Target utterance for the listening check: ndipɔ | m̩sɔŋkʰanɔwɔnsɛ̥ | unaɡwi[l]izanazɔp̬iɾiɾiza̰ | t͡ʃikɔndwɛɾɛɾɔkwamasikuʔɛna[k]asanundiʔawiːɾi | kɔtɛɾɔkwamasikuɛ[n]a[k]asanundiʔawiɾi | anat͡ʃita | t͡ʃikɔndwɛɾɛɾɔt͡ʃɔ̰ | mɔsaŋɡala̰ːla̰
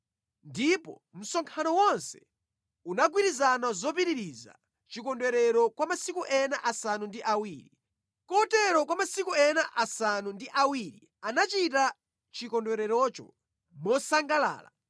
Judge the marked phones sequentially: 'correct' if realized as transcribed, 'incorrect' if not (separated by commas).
incorrect, incorrect, correct, incorrect